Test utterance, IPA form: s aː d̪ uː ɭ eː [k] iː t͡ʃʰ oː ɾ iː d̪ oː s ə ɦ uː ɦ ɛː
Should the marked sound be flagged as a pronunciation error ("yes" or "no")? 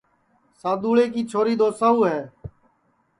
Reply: no